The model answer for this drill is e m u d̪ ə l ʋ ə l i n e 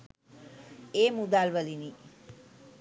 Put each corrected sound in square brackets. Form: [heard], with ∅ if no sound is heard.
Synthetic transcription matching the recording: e m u d̪ [a] l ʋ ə l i n [i]